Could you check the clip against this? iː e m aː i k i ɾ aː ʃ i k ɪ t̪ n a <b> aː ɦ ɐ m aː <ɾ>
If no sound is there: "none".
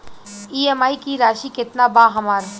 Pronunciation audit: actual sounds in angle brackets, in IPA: b, ɾ

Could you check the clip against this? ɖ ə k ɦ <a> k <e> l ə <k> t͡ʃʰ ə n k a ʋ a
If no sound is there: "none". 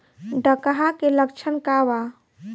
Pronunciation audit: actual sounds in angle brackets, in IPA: a, e, k

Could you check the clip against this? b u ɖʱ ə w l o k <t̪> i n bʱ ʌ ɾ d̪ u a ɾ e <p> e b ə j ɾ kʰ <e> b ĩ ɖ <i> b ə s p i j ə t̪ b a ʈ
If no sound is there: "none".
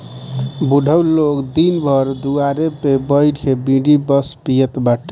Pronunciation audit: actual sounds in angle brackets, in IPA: d̪, p, e, i

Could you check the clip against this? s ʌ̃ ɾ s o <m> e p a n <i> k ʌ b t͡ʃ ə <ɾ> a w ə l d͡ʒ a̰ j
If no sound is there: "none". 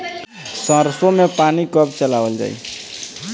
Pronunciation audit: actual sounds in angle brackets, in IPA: m, i, l

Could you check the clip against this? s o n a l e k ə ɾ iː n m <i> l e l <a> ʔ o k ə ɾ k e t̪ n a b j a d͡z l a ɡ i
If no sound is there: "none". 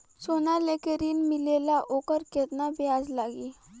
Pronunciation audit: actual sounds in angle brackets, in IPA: i, a

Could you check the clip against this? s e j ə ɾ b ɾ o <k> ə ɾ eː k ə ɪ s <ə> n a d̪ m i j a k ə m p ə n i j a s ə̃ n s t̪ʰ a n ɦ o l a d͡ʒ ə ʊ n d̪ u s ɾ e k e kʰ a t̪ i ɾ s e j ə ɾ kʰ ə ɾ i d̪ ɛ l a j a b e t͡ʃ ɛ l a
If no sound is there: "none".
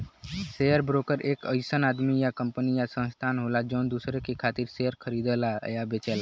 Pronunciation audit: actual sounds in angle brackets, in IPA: k, ə

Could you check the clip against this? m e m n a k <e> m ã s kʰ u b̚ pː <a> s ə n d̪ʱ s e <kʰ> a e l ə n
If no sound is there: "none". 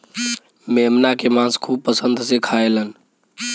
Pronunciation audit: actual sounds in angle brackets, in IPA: e, ə, kʰ

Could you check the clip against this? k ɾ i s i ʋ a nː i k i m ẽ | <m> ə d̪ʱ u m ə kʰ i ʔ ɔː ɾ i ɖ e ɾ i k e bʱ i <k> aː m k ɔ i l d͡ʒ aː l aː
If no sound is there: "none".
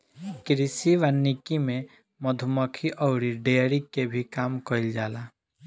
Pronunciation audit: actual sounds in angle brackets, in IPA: m, k

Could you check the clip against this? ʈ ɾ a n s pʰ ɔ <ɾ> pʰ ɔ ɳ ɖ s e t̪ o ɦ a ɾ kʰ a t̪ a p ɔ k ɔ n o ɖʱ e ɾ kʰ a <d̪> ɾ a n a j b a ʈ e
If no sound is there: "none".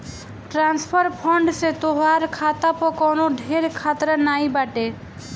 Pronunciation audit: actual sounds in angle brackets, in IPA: ɾ, t̪

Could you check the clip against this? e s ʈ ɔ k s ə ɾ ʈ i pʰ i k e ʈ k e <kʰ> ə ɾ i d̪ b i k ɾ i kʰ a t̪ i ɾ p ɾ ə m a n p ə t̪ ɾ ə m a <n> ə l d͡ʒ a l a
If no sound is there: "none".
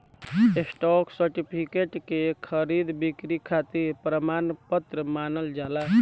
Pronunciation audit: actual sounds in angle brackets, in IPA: kʰ, n

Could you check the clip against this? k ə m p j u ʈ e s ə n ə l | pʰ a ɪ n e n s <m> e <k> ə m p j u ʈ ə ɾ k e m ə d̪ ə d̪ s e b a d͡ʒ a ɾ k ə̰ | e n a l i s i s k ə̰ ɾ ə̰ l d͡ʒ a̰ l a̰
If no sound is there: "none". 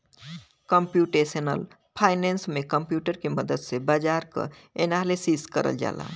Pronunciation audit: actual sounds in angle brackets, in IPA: m, k

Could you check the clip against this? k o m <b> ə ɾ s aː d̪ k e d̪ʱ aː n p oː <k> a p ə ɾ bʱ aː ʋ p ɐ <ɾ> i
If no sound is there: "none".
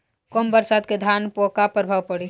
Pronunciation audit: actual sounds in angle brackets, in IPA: b, k, ɽ

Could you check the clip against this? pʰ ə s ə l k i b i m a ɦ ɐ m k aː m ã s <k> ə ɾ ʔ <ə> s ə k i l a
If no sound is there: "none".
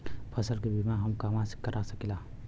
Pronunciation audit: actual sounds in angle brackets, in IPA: k, a

